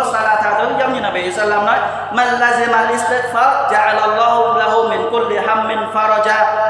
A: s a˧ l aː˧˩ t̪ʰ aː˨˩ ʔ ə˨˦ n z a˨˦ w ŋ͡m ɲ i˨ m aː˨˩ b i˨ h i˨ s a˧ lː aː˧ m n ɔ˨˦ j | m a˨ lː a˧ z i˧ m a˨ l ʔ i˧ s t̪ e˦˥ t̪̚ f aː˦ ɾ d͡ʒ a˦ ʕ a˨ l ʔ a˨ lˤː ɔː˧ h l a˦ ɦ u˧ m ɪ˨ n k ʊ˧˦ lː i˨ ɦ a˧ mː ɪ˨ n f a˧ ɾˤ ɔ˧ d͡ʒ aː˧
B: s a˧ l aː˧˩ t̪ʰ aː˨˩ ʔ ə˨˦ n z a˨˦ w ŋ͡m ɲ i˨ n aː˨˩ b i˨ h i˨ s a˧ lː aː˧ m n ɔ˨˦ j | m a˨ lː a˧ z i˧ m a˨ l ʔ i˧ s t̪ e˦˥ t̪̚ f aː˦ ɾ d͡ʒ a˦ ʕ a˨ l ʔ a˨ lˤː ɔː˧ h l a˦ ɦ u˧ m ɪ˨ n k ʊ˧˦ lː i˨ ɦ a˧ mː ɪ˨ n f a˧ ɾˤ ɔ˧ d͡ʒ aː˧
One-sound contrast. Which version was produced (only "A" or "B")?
B